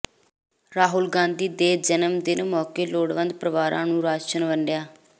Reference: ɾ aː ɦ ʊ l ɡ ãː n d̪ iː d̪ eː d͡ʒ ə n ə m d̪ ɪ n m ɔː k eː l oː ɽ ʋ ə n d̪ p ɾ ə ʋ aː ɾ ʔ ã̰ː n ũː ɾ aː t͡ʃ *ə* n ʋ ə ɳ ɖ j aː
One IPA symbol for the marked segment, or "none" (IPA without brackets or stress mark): ə